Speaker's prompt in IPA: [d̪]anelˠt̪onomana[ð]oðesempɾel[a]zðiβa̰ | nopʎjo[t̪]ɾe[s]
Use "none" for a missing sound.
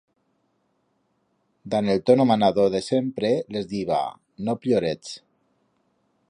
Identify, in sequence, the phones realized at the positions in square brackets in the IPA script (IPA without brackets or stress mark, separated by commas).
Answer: d̪, ð, e, none, t͡s